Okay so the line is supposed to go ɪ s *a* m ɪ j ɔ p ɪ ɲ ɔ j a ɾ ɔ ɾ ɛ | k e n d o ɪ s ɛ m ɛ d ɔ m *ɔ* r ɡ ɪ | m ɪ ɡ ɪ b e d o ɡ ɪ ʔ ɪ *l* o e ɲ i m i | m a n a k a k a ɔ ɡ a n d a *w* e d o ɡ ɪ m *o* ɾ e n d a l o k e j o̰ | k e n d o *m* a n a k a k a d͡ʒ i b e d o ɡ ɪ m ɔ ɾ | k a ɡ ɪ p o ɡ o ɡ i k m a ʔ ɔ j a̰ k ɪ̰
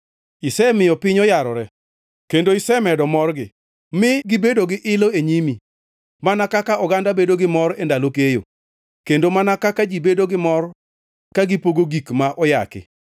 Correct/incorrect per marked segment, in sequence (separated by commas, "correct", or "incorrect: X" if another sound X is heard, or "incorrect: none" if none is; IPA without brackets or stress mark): incorrect: ɛ, correct, correct, incorrect: b, incorrect: ɔ, correct